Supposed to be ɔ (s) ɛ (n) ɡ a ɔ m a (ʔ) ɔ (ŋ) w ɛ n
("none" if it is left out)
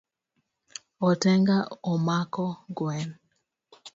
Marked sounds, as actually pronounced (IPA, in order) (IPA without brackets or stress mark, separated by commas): t, ŋ, k, ɡ